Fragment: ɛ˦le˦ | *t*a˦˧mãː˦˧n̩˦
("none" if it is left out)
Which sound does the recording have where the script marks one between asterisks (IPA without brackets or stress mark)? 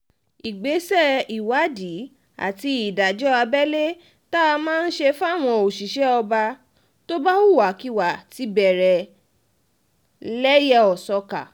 t